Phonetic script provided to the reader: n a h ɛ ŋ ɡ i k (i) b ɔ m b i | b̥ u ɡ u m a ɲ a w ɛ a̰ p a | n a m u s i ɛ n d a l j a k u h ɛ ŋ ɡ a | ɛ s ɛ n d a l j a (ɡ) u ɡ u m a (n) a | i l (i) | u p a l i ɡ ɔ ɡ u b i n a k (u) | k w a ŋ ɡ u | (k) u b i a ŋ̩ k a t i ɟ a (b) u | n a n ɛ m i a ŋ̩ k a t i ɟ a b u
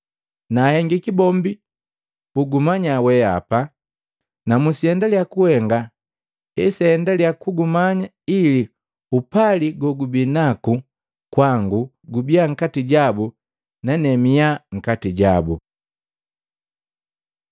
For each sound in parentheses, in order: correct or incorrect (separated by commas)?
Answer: correct, incorrect, incorrect, correct, correct, incorrect, correct